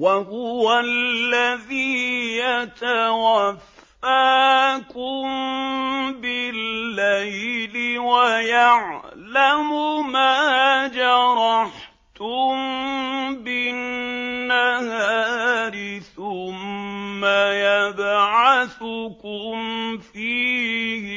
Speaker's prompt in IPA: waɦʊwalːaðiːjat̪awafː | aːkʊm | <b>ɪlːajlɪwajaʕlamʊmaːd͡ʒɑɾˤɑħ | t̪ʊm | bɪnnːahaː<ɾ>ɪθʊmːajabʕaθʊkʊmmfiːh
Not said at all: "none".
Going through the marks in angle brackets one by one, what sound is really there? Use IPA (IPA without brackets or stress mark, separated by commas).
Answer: b, ɾ